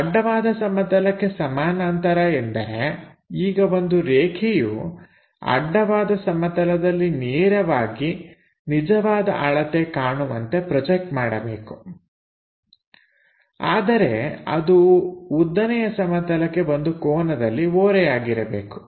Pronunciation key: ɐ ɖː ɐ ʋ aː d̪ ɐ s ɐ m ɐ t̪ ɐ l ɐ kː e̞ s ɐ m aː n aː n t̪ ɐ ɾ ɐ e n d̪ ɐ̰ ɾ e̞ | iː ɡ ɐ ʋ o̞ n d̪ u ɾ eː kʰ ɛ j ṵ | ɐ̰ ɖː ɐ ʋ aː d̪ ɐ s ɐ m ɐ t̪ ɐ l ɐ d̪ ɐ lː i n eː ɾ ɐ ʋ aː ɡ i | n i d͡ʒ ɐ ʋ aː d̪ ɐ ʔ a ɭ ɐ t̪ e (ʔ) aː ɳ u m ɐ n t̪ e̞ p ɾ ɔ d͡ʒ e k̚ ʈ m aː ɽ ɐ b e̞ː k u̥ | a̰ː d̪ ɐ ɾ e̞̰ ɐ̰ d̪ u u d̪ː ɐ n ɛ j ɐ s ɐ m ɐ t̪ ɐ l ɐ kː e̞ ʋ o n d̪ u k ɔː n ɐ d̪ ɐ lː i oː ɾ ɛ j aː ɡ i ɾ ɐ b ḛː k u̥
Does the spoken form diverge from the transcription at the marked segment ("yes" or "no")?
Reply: yes